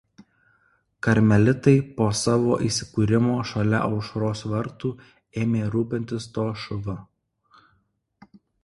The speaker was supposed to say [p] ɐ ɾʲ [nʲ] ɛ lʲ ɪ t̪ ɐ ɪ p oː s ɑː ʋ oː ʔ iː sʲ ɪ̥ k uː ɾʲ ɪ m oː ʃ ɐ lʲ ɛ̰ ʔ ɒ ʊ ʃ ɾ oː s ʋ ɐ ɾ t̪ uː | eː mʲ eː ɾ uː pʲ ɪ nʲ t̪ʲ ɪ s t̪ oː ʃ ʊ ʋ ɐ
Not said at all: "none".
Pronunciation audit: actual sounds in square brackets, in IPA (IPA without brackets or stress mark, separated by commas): k, mʲ